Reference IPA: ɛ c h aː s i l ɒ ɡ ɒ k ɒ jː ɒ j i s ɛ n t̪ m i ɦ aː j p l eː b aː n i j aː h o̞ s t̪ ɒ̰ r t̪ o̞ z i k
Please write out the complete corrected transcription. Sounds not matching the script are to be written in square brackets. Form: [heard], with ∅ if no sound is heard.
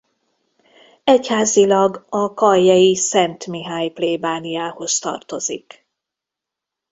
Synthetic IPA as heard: ɛ c h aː [z] i l ɒ ɡ ɒ k ɒ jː ɒ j i s ɛ n t̪ m i ɦ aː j p l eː b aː n i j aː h o̞ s t̪ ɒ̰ r t̪ o̞ z i k